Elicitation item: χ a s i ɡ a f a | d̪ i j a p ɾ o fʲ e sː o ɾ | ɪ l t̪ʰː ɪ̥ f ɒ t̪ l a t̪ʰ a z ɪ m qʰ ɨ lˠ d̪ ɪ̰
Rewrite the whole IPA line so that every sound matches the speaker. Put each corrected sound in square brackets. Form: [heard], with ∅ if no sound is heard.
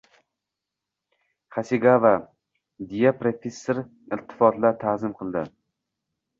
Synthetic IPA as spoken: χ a s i ɡ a [v] a | d̪ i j a p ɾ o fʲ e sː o ɾ | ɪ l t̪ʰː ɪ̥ f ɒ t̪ l a t̪ʰ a z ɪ m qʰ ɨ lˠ d̪ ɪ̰